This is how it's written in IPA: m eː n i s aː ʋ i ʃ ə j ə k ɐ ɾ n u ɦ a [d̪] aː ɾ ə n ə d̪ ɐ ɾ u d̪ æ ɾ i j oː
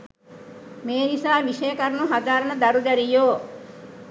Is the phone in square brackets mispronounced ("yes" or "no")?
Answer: no